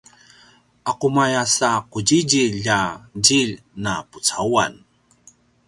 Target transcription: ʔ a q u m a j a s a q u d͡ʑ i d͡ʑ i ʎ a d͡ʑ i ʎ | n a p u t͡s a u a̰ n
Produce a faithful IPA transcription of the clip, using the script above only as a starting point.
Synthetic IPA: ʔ a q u m a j a s a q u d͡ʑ i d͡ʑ i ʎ a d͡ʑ i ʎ | n a p u t͡s a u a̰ n